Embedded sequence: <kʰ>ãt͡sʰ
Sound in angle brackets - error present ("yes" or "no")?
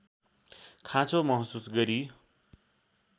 no